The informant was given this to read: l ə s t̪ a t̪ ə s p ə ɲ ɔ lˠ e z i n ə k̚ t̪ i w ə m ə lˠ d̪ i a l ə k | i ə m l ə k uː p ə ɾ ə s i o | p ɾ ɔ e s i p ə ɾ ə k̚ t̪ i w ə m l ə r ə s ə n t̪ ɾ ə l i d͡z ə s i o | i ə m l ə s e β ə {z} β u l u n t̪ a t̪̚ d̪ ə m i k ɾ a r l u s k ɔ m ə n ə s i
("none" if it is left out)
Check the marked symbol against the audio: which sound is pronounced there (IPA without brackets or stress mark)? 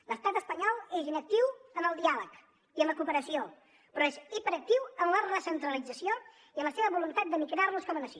none